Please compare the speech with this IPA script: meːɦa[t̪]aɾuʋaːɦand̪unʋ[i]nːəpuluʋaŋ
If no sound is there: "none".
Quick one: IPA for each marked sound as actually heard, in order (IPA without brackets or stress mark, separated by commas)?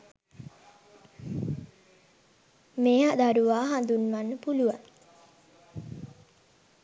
d̪, a